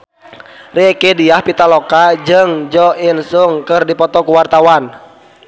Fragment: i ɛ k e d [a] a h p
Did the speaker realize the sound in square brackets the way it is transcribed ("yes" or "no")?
no